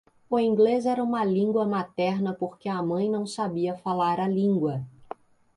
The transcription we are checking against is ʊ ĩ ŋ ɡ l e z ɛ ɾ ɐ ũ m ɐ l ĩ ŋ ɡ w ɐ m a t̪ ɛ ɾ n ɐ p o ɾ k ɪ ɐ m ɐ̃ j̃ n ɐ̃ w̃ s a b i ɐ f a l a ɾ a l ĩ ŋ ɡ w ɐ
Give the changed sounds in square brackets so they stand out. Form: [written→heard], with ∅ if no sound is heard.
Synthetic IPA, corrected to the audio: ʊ ĩ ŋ ɡ l e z ɛ ɾ ɐ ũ m ɐ l ĩ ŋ ɡ w ɐ m a t̪ ɛ ɾ n ɐ p o ɾ k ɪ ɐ m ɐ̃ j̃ n ɐ̃ w̃ s a b i ɐ f a l a ɾ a l ĩ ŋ ɡ w ɐ